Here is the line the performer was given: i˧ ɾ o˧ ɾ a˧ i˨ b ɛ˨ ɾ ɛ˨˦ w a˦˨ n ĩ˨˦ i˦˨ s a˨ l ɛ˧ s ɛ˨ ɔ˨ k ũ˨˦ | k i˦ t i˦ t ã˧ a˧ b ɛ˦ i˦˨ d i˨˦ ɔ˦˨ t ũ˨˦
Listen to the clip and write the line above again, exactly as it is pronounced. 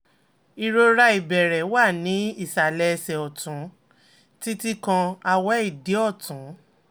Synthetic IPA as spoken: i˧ ɾ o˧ ɾ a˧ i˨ b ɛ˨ ɾ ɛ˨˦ w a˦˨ n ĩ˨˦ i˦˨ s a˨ l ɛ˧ s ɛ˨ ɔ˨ t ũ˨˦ | t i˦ t i˦ k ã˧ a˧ w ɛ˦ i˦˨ d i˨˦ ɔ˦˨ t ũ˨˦

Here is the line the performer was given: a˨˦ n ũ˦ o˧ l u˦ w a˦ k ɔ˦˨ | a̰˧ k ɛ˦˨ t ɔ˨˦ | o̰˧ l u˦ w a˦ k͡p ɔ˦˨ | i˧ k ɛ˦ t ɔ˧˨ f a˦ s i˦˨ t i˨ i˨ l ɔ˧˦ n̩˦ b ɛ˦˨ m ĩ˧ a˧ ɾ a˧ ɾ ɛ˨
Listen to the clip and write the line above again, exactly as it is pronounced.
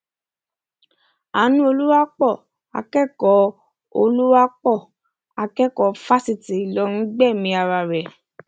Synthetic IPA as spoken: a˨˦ n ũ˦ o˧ l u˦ w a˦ k͡p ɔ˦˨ | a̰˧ k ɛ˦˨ k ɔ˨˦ | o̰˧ l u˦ w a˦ k͡p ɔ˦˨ | a˧ k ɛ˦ k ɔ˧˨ f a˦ s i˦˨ t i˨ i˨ l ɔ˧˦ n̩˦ ɡ͡b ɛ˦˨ m ĩ˧ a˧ ɾ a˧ ɾ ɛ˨

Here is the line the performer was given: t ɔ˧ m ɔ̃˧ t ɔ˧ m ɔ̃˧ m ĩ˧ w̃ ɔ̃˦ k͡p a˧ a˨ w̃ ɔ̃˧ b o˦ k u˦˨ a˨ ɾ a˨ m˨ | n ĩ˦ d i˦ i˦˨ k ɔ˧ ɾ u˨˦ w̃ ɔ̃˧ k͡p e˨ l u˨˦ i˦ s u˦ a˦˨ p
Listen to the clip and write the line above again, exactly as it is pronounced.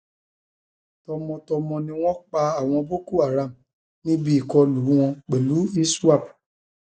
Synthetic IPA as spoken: t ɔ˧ m ɔ̃˧ t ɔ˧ m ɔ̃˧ n ĩ˧ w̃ ɔ̃˦ k͡p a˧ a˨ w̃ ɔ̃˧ b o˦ k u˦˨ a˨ ɾ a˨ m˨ | n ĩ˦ b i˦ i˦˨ k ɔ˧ l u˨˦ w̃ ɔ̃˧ k͡p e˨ l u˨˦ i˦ s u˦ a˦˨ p

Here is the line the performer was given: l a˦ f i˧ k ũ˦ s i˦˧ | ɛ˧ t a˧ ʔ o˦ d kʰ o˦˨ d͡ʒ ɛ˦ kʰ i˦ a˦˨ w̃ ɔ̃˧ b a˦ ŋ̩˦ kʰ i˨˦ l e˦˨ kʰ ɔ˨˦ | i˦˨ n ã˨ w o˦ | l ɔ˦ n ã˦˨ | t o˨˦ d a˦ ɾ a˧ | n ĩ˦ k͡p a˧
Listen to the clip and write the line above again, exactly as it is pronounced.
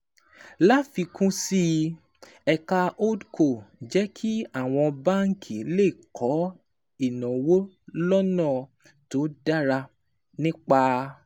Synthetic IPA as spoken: l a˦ f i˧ k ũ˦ s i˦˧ | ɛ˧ k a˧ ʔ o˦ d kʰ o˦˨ d͡ʒ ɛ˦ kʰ i˦ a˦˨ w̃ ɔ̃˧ b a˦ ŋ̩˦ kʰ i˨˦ l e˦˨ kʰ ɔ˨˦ | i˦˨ n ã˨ w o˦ | l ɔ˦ n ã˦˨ | t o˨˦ d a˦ ɾ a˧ | n ĩ˦ k͡p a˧

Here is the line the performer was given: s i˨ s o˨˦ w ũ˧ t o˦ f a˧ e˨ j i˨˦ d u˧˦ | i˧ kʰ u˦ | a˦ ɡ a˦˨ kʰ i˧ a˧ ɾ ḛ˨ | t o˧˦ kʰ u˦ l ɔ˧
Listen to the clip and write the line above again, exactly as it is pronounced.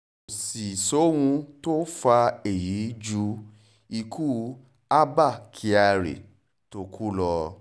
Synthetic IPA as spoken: s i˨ s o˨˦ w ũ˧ t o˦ f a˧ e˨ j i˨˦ d͡ʒ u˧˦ | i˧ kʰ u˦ | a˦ b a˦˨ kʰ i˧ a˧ ɾ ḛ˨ | t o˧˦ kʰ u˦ l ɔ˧

